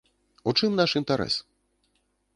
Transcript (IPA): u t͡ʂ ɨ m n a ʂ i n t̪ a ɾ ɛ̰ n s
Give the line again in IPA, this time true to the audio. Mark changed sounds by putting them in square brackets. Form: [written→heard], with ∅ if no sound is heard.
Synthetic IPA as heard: u t͡ʂ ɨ m n a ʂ i n t̪ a ɾ ɛ̰ [n→∅] s